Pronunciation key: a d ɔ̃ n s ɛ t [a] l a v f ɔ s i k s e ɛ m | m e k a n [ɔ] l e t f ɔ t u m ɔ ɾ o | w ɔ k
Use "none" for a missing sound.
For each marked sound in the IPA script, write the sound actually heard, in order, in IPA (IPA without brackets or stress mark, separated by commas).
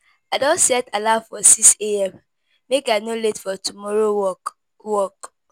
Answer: a, o